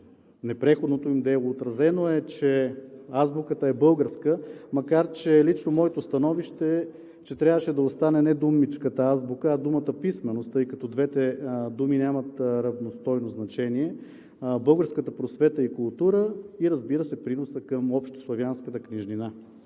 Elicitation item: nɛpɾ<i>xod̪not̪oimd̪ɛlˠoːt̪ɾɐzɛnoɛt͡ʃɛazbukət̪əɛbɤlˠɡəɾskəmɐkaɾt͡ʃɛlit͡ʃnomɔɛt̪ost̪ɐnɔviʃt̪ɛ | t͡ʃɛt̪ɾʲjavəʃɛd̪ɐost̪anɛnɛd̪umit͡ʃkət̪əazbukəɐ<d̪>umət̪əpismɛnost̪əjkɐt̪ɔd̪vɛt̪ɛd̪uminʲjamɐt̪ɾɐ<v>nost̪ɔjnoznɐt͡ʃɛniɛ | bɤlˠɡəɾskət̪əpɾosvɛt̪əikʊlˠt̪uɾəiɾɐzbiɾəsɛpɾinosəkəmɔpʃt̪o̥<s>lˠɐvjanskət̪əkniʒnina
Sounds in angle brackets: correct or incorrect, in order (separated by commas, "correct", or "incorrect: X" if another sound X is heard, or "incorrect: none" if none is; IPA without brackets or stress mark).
incorrect: ɛ, correct, correct, correct